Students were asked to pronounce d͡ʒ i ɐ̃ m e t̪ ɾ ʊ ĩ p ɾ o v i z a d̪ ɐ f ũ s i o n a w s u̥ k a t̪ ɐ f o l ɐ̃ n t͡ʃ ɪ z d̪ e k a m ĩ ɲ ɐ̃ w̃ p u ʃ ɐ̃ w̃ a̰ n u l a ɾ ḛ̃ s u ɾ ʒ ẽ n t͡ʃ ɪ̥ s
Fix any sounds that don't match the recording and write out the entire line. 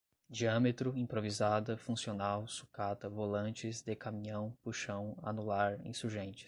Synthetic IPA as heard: d͡ʒ i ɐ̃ m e t̪ ɾ ʊ ĩ p ɾ o v i z a d̪ ɐ f ũ s i o n a w s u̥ k a t̪ ɐ v o l ɐ̃ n t͡ʃ ɪ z d̪ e k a m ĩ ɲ ɐ̃ w̃ p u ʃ ɐ̃ w̃ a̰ n u l a ɾ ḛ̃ s u ɾ ʒ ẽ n t͡ʃ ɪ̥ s